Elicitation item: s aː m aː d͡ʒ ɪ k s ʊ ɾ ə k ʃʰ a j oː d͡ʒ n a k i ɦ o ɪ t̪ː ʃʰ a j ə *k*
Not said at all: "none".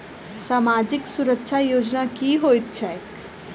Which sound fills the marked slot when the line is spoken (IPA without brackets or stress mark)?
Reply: k